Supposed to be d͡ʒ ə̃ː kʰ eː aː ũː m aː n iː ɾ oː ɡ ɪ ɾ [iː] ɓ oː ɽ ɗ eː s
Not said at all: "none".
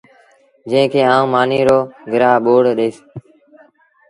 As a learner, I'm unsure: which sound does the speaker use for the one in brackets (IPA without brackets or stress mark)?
aː